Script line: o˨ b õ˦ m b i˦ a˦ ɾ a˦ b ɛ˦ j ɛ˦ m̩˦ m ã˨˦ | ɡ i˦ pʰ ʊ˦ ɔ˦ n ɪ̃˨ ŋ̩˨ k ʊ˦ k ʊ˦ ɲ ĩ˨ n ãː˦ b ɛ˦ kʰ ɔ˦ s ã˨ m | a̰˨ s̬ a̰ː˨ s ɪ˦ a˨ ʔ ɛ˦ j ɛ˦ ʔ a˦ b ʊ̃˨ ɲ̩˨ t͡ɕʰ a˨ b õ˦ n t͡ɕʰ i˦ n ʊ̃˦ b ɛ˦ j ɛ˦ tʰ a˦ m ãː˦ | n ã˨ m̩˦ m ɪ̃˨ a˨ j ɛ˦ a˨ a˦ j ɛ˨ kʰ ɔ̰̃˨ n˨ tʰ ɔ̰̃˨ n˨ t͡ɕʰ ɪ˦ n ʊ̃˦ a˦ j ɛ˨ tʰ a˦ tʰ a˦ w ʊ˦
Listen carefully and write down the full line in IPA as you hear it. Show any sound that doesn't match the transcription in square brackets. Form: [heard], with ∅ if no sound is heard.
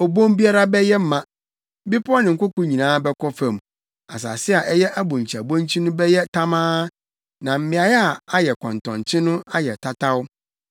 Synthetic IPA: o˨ b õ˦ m b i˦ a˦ ɾ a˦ b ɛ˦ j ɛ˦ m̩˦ m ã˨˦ | [b] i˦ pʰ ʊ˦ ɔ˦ n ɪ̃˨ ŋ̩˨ k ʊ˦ k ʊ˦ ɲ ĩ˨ n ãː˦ b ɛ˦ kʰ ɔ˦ [f] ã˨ m | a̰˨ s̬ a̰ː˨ s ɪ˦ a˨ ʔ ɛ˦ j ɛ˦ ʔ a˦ b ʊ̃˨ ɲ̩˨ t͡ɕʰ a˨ b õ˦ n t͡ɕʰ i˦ n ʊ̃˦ b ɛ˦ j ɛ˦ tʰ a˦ m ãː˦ | n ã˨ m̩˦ m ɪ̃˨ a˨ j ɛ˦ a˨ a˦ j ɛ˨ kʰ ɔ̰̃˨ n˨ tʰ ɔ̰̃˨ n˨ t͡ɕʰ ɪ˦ n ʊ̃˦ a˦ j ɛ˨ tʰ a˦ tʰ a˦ w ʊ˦